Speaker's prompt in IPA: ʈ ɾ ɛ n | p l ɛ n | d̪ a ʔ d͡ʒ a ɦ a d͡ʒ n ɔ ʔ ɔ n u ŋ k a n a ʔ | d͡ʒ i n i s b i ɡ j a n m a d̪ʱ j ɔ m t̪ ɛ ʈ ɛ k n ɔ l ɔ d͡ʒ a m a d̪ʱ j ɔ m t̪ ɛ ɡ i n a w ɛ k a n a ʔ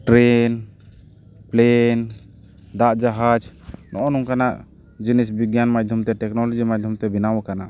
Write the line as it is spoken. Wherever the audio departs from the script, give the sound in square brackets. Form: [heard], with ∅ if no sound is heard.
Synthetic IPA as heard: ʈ ɾ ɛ n | p l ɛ n | d̪ a ʔ d͡ʒ a ɦ a d͡ʒ n ɔ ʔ ɔ n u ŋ k a n a ʔ | d͡ʒ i n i s b i ɡ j a n m a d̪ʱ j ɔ m t̪ ɛ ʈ ɛ k n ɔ l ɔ d͡ʒ [i] m a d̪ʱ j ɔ m t̪ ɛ [b] i n a w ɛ k a n a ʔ